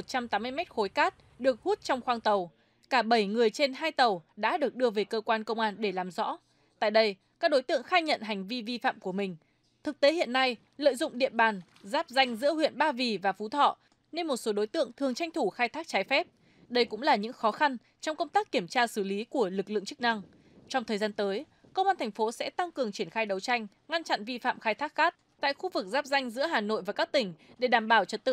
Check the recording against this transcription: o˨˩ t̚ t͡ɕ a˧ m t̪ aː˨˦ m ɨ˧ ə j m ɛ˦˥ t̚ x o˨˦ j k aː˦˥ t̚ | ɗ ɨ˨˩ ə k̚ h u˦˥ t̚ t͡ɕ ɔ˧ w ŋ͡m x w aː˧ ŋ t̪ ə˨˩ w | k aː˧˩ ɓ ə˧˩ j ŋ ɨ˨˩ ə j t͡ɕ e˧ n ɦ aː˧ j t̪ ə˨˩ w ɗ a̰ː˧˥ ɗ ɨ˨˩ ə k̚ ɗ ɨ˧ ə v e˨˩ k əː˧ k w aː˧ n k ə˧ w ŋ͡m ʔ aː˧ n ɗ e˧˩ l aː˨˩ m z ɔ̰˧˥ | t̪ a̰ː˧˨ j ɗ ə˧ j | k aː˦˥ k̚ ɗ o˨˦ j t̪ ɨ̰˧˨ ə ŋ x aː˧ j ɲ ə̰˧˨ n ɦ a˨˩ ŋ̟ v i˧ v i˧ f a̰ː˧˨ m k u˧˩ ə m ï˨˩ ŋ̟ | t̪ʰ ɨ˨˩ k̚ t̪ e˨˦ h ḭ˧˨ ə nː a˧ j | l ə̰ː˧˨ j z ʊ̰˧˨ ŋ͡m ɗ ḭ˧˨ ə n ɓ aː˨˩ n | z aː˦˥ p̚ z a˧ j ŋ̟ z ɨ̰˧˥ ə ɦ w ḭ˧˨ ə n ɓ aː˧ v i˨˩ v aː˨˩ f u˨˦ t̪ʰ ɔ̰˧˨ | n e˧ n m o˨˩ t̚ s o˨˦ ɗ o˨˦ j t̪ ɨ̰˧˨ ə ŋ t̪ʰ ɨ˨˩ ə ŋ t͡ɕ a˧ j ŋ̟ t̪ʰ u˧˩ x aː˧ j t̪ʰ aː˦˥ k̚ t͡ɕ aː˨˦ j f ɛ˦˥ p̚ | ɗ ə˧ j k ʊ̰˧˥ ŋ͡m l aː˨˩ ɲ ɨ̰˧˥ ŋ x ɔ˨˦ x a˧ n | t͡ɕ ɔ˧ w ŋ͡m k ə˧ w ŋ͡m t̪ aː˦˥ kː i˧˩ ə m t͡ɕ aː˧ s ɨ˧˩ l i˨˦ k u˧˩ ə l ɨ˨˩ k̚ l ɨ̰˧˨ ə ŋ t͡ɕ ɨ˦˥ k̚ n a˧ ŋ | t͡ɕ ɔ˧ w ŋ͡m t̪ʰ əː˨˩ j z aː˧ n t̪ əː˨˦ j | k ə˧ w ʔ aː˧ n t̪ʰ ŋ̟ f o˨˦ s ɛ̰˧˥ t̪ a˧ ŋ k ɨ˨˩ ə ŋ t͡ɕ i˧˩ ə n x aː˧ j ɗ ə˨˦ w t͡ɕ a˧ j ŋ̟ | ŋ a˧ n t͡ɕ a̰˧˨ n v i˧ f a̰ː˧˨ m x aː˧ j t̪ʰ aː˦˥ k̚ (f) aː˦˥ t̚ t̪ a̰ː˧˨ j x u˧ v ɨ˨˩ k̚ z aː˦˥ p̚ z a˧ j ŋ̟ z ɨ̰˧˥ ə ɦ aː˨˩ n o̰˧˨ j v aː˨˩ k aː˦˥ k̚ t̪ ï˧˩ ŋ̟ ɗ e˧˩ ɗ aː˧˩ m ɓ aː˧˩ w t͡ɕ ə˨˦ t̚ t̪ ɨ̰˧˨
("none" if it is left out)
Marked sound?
x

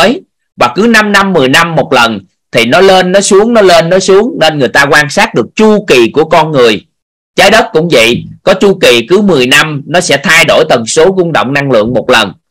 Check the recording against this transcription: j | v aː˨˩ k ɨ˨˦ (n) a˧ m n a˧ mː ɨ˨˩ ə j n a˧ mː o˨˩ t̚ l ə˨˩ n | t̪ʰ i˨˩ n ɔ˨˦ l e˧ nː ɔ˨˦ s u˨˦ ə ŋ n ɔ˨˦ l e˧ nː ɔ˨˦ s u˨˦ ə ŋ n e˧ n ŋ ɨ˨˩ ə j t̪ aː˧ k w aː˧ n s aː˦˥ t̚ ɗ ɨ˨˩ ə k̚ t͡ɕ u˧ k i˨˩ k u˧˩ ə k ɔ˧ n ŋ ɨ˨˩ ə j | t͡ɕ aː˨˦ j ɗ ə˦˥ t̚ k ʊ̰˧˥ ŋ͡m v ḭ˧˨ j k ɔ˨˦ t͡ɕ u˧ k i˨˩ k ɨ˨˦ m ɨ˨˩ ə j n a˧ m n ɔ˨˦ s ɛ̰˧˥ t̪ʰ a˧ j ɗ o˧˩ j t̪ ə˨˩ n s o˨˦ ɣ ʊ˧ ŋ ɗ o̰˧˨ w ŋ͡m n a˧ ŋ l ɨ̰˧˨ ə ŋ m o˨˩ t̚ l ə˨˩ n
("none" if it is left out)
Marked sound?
n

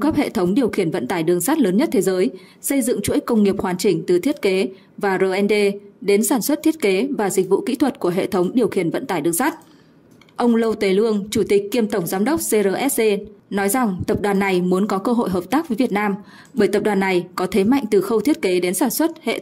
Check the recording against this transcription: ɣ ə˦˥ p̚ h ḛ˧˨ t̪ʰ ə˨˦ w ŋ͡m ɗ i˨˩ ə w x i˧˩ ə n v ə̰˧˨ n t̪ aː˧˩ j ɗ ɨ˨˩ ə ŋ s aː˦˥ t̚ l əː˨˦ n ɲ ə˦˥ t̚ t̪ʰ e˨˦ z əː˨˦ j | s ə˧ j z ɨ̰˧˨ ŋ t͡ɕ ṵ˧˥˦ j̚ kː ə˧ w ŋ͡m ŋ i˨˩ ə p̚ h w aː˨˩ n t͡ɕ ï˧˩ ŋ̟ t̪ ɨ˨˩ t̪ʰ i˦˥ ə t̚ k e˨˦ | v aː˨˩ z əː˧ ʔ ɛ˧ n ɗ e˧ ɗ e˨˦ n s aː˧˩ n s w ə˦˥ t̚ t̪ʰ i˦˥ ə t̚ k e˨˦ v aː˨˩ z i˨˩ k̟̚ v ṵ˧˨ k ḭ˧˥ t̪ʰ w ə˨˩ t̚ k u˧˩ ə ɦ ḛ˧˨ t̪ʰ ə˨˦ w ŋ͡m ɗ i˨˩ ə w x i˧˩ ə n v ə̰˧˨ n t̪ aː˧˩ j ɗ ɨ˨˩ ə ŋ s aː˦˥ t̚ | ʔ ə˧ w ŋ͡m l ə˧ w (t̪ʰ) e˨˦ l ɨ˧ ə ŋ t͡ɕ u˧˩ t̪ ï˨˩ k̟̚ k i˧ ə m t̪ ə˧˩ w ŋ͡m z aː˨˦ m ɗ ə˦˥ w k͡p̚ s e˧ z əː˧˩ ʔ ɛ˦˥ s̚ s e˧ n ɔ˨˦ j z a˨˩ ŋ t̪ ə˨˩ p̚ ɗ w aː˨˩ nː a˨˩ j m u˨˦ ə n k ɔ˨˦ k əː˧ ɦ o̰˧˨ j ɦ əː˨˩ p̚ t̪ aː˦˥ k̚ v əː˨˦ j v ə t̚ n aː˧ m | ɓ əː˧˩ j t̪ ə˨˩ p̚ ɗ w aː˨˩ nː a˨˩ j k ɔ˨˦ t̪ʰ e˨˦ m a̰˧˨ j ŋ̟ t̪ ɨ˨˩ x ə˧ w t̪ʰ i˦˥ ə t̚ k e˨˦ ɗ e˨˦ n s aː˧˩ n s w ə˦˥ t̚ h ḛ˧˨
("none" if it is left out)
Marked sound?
t̪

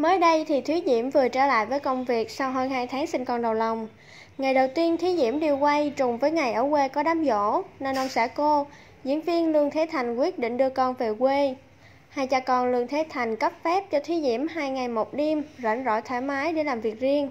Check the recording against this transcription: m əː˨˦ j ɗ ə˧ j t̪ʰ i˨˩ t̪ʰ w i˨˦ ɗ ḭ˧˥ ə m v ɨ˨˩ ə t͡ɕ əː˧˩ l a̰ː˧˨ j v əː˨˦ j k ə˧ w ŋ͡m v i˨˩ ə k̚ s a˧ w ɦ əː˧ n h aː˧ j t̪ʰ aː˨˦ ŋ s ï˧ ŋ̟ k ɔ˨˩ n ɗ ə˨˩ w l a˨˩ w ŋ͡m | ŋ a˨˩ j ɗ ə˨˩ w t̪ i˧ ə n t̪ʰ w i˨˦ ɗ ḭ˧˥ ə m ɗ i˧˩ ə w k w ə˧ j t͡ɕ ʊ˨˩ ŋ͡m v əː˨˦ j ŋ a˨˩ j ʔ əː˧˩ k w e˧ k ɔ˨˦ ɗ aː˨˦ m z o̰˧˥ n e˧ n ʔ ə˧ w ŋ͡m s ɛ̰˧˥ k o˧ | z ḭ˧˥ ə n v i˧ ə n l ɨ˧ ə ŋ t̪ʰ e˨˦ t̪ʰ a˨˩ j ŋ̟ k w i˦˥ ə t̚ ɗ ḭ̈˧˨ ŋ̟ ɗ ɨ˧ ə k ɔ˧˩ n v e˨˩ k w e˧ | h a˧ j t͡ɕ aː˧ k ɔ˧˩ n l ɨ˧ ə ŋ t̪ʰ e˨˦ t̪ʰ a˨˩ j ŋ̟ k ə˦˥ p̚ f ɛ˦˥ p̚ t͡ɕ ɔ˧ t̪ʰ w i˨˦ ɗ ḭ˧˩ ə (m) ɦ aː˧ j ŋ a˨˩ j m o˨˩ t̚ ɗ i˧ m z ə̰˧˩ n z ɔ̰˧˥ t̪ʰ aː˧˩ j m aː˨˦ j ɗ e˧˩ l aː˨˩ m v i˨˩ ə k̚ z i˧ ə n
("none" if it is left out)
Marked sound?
m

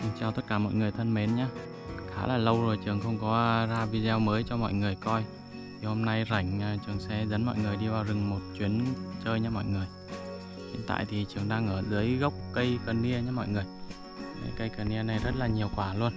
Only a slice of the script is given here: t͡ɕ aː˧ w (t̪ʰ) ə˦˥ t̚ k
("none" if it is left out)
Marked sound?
t̪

